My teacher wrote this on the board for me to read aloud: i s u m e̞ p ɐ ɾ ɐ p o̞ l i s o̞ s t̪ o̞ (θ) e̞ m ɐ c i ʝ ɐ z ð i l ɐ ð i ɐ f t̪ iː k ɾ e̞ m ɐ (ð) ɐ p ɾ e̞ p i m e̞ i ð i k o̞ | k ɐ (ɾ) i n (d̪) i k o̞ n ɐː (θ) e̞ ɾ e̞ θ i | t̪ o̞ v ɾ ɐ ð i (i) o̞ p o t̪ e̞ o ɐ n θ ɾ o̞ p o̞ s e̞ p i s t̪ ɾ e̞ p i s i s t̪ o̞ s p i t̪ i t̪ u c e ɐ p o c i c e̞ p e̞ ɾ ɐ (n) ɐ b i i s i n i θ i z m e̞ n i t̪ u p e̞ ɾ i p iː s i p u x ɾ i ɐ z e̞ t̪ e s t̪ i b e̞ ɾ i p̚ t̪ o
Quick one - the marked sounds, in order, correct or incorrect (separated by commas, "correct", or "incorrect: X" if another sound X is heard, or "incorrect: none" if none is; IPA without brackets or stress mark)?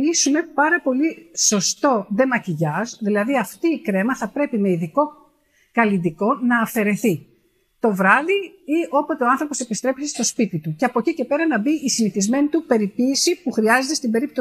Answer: incorrect: ð, incorrect: θ, incorrect: l, correct, incorrect: f, correct, correct